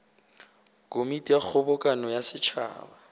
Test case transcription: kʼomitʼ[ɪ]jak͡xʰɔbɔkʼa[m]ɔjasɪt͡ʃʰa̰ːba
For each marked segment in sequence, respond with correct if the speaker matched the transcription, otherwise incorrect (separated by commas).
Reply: incorrect, incorrect